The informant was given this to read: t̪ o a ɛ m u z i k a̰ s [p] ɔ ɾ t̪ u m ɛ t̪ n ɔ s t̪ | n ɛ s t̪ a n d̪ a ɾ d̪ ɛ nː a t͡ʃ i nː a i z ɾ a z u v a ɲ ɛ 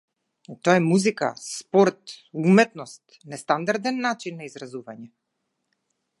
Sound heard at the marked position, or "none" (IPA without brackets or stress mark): p